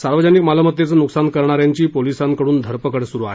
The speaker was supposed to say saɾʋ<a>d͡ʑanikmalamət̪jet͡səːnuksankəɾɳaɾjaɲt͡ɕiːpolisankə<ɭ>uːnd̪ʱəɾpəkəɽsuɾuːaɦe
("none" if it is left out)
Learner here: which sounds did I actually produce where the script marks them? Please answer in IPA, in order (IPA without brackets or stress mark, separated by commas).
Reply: ə, ɽ